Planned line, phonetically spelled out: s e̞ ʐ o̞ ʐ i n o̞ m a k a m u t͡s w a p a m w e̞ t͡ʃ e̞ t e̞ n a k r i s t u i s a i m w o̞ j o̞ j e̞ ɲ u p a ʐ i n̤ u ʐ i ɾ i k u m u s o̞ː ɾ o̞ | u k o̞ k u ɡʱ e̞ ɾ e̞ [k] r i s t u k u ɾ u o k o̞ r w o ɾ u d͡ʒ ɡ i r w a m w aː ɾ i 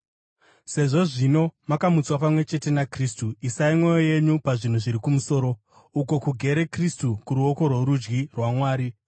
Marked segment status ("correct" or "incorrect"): correct